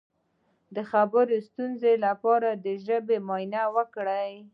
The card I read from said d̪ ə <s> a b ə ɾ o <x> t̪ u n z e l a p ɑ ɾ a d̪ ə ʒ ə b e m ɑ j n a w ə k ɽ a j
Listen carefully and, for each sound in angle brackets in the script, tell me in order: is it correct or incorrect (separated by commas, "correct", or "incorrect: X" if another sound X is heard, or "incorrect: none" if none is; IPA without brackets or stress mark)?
incorrect: x, incorrect: s